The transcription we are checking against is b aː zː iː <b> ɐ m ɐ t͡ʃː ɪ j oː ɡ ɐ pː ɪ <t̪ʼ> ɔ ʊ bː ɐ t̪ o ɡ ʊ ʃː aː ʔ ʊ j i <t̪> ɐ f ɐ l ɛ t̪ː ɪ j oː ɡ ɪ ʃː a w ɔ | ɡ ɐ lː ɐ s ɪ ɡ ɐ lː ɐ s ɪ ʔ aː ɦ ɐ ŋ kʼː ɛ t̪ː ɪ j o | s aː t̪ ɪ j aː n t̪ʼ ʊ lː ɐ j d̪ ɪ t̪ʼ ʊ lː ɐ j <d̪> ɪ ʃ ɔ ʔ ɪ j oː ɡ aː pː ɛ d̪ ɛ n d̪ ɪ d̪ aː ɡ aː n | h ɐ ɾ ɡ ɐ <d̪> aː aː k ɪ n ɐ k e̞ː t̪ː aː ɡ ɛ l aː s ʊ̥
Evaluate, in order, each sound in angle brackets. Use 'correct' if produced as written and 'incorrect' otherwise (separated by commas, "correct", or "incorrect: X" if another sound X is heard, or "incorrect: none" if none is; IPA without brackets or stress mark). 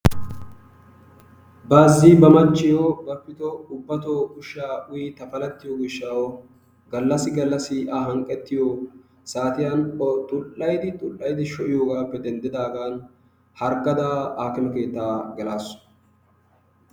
correct, incorrect: t̪, correct, correct, correct